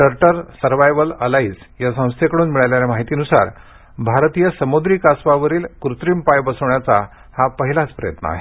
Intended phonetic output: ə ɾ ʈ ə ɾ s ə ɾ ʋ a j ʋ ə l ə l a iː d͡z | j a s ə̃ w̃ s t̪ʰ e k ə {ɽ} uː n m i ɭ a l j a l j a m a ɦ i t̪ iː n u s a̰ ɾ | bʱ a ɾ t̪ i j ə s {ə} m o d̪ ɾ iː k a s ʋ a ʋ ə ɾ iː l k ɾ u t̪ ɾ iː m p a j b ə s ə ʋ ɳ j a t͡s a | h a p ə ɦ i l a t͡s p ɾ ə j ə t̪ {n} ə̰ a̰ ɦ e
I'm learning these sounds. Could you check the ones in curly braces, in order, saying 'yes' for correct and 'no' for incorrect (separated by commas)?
yes, yes, yes